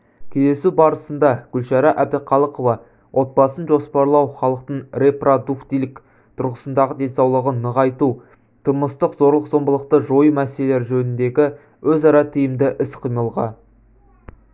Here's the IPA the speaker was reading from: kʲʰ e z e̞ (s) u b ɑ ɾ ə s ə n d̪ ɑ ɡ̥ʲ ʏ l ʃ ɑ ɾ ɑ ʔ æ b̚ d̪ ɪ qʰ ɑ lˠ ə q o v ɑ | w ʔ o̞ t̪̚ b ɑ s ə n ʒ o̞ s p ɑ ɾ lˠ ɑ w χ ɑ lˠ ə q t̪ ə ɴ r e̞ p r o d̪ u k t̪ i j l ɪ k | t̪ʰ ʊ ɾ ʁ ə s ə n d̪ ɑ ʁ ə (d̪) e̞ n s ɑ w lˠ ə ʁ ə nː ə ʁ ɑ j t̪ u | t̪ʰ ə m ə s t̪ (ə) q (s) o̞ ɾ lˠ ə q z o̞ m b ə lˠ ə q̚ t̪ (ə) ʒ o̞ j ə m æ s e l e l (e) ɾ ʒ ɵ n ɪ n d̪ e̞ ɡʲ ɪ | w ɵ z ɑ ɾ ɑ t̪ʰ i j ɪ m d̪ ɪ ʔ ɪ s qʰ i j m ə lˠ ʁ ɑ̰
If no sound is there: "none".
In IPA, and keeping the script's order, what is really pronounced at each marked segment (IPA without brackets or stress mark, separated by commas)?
s, d̪, ə, z, ə, e